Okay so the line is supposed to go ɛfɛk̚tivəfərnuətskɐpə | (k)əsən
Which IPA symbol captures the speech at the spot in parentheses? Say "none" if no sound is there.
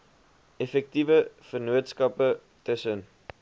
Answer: t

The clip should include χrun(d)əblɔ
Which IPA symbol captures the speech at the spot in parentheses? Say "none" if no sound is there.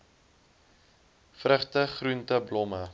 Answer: t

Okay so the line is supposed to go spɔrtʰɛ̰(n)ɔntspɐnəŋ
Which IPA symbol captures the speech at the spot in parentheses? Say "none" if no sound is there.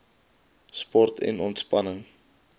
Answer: n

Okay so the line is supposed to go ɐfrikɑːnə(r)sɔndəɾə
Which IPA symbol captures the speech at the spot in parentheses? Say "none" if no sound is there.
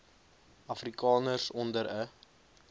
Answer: r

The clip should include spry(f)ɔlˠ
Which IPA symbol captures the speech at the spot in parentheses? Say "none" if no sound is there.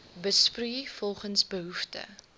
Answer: f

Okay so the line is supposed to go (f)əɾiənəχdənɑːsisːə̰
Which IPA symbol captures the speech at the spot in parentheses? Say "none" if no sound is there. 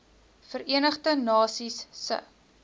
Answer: f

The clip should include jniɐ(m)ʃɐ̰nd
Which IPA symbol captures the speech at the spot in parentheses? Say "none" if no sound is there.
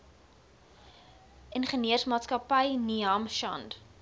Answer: m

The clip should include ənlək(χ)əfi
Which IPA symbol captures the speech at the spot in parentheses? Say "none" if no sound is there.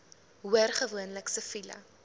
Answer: s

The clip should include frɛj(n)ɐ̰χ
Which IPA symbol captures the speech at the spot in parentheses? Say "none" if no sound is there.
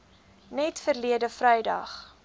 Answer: d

